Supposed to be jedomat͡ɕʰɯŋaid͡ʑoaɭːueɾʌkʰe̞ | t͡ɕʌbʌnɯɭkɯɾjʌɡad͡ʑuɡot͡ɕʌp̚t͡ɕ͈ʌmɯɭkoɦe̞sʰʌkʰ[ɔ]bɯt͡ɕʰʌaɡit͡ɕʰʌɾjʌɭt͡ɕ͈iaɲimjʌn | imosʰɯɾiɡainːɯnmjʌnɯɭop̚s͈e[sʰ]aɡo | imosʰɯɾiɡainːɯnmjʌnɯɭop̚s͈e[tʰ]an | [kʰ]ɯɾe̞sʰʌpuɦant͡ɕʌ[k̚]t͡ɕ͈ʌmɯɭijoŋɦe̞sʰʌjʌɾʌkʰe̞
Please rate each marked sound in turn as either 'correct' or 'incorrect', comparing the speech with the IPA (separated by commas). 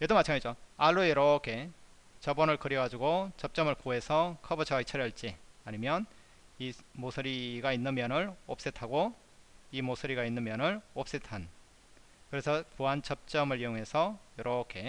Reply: incorrect, incorrect, correct, incorrect, incorrect